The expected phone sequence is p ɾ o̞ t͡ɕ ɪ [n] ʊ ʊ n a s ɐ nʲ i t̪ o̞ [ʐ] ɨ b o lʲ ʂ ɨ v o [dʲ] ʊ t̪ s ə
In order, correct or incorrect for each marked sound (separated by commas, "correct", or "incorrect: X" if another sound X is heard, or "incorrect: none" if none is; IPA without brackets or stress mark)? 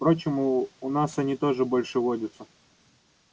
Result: incorrect: m, correct, correct